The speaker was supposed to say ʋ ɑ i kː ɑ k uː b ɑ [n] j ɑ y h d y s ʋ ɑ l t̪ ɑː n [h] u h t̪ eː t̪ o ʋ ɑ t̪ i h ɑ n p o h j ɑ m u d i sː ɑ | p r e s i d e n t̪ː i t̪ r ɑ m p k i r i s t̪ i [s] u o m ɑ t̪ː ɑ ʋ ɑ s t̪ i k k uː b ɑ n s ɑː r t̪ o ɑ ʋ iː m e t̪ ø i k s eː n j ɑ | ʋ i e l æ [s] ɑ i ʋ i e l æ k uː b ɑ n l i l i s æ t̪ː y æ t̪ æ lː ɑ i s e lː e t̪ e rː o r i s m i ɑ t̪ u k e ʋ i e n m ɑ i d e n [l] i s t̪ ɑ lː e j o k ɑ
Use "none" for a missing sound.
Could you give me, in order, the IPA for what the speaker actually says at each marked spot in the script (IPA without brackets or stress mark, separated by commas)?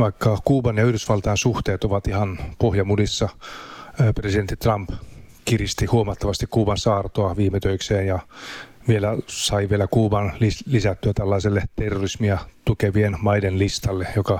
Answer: n, s, h, s, l